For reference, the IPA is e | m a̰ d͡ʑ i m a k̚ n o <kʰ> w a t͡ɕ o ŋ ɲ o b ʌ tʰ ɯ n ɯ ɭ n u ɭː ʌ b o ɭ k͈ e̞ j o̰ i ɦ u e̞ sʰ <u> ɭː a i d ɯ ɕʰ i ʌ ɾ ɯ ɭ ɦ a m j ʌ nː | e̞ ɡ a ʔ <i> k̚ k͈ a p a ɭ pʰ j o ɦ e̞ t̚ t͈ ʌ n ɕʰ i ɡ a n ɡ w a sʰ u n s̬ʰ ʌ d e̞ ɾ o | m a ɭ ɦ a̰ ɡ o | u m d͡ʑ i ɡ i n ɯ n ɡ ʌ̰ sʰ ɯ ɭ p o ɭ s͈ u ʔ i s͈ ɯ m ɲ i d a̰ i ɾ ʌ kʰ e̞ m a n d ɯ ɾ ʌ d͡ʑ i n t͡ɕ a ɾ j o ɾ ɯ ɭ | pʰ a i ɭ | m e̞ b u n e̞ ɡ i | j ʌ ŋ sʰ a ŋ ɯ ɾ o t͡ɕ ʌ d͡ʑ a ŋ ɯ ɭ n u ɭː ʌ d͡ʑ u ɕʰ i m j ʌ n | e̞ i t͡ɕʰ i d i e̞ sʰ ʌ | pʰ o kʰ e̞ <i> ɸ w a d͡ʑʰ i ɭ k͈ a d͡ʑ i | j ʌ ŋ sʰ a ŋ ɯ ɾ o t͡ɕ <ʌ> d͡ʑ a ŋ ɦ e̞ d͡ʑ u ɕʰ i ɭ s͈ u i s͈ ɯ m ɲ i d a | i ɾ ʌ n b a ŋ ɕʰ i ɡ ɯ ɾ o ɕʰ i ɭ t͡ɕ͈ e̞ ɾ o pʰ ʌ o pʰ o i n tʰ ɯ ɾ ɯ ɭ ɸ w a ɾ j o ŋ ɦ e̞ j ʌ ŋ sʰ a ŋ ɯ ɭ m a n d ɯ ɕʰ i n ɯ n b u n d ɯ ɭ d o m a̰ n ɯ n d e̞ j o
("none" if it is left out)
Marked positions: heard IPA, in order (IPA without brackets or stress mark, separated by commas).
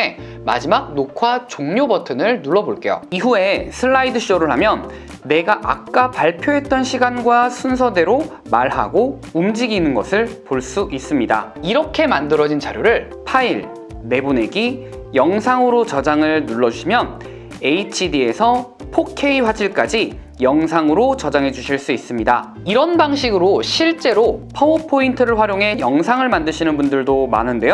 kʰ, ɯ, a, i, ʌ